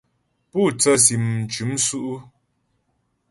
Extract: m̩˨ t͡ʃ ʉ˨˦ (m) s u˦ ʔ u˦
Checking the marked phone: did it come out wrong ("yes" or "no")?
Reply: no